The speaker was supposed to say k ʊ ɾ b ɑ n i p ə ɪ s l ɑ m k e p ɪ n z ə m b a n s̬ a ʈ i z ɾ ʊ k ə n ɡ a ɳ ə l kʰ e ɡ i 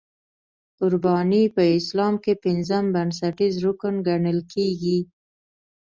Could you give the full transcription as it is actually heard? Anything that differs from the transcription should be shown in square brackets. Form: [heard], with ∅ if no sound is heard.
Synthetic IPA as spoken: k ʊ ɾ b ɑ n i p ə ɪ s l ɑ m k e p ɪ n z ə m b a n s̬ a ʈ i z ɾ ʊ k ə n ɡ a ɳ ə l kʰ e ɡ i

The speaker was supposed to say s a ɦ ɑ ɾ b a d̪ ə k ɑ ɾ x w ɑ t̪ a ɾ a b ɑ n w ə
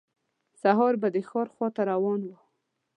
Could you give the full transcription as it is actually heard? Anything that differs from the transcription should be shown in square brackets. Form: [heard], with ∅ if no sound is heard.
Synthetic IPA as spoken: s a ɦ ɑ ɾ b a d̪ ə [x] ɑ ɾ x w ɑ t̪ a ɾ a [w] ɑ n w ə

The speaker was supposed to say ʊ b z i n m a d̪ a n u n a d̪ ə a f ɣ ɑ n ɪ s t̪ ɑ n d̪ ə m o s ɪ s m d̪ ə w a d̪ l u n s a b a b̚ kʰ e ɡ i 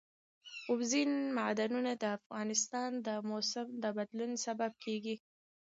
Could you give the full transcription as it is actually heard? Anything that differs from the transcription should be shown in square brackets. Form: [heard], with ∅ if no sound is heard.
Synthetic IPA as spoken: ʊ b z i n m a d̪ a n u n a d̪ ə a f ɣ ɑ n ɪ s t̪ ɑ n d̪ ə m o s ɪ [∅] m d̪ ə [b] a d̪ l u n s a b a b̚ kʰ e ɡ i

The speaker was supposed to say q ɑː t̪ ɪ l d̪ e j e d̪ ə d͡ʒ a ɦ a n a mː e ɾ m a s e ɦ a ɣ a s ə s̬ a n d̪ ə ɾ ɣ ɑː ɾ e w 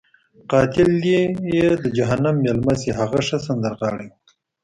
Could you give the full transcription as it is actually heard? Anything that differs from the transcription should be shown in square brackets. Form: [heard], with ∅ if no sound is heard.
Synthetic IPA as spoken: q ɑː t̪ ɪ l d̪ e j e d̪ ə d͡ʒ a ɦ a n a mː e [l] m a s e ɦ a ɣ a [ʂ] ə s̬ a n d̪ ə ɾ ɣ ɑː [ɽ] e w

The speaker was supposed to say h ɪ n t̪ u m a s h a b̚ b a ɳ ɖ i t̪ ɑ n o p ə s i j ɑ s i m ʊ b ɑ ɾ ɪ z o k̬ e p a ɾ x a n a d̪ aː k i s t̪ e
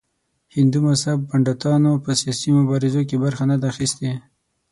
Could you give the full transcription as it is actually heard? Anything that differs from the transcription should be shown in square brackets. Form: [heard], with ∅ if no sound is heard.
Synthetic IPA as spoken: h ɪ n [d̪] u m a s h a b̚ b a ɳ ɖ [a] t̪ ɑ n o p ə s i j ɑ s i m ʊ b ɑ ɾ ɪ z o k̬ e [b] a ɾ x a n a d̪ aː [x] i s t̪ e

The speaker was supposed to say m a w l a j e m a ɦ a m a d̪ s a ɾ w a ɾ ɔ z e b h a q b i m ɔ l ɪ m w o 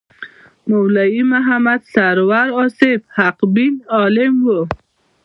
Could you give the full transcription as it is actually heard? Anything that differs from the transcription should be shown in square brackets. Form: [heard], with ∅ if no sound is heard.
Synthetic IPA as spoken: m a w l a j [i] m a ɦ a m a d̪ s a ɾ w a ɾ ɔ [s] e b h a q b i [n] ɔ l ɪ m w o

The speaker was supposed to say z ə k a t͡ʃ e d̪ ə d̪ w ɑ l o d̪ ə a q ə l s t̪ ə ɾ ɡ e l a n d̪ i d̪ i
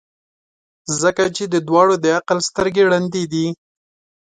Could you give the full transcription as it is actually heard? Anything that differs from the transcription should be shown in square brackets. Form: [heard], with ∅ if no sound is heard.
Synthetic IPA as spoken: z ə k a t͡ʃ e d̪ ə d̪ w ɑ [ɽ] o d̪ ə a q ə l s t̪ ə ɾ ɡ e [ɽ] a n d̪ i d̪ i

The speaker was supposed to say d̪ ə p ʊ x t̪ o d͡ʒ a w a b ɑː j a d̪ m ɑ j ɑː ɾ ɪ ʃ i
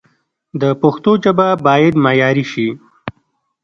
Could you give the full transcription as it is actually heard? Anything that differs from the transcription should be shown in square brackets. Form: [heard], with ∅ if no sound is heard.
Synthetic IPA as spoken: d̪ ə p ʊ x t̪ o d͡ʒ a [b] a b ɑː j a d̪ m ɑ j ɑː ɾ [i] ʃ i

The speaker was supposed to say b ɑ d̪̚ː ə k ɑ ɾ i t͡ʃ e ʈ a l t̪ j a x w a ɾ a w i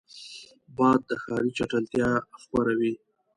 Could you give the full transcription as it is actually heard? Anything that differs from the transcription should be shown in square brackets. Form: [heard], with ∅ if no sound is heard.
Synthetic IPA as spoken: b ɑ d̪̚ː ə [x] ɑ ɾ i t͡ʃ [a] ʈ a l t̪ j [ɑ] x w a ɾ a w i

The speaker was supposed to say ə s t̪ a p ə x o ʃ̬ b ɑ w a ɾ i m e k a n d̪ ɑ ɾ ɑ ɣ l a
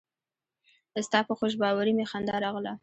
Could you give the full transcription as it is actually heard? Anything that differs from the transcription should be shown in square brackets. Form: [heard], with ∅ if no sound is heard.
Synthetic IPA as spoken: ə s t̪ [ɑ] p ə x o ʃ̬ b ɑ w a ɾ i m e [x] a n d̪ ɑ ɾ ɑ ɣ l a

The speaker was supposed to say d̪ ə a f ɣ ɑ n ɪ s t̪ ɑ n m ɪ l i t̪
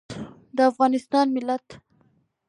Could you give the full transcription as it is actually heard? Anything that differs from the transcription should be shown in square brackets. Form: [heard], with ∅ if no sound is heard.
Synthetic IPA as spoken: d̪ ə a f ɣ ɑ n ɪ s t̪ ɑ n m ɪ l [a] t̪

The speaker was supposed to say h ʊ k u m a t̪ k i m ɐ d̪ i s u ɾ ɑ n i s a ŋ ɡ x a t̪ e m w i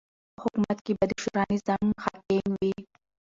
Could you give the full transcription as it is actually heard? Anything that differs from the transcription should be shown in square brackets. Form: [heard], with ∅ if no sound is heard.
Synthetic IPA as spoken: h ʊ k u m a t̪ k i [b] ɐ d̪ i [ʃ] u ɾ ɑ n i [z] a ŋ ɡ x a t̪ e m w i

